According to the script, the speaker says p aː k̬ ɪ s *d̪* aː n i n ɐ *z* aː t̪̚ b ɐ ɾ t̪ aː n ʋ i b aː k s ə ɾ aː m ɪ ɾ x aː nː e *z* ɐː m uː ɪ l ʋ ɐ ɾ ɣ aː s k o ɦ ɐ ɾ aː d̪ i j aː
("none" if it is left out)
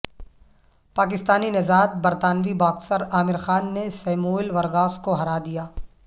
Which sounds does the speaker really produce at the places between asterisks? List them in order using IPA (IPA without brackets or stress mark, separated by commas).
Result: t̪, z, s